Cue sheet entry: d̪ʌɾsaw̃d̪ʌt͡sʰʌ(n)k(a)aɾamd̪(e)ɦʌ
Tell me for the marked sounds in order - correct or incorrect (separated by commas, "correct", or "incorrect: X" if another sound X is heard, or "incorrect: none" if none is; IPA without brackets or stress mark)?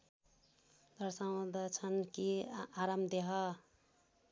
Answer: correct, incorrect: i, correct